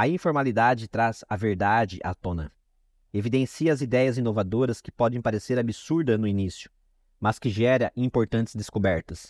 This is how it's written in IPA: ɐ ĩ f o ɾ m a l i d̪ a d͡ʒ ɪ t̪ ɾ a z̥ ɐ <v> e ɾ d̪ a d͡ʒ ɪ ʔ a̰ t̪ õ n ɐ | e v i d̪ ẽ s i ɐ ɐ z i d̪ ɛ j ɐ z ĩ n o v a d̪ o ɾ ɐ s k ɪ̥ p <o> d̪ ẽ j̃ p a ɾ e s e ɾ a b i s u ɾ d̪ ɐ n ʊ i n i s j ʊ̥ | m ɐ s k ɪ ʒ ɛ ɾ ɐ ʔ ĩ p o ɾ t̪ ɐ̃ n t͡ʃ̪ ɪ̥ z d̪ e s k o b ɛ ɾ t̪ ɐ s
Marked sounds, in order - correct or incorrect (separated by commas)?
correct, incorrect